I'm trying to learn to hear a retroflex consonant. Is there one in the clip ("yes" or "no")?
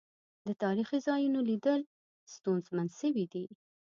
no